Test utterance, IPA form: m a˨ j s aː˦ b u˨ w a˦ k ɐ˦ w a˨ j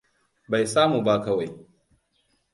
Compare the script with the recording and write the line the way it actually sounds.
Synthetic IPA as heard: b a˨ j s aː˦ m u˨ b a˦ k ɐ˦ w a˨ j